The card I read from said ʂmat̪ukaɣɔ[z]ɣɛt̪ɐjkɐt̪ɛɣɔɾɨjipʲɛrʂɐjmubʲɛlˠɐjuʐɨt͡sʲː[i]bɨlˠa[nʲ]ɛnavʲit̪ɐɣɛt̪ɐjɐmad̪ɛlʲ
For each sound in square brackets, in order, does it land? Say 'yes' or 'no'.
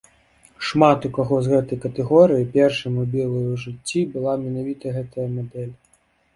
yes, yes, no

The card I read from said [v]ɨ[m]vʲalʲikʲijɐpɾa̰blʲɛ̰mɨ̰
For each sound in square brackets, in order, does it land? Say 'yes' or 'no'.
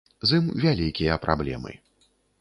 no, yes

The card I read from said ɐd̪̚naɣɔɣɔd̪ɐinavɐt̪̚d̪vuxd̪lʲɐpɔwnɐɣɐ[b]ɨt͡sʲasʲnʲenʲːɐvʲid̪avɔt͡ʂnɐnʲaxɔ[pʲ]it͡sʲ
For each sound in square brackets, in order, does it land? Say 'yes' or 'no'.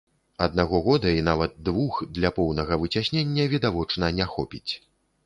no, yes

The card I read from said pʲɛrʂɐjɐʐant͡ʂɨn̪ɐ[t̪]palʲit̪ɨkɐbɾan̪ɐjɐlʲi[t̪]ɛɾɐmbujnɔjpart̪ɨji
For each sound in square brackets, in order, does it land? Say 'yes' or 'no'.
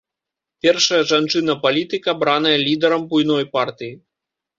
no, no

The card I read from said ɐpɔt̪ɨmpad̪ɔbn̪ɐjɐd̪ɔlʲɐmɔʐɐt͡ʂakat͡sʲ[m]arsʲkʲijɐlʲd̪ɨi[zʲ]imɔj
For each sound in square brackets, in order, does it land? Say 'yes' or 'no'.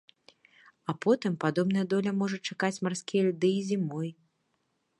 yes, yes

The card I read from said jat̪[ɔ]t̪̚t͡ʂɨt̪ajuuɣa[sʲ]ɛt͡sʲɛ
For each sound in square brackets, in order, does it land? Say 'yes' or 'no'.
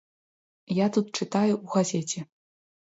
no, no

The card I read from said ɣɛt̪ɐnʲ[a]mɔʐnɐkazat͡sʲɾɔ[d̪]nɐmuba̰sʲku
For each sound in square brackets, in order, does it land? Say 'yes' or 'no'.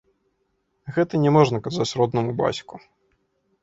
no, yes

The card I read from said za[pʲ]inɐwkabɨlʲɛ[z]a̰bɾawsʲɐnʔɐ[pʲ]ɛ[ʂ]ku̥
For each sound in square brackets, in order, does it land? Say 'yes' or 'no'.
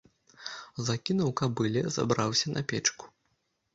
no, yes, yes, no

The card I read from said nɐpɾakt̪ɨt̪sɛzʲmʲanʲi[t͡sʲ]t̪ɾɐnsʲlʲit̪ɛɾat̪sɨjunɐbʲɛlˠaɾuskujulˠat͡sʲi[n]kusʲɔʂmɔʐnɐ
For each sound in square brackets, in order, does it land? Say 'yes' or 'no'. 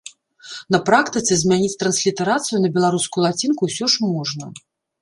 yes, yes

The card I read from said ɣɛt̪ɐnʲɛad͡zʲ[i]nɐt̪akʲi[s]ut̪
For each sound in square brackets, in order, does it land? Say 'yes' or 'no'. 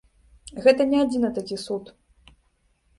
yes, yes

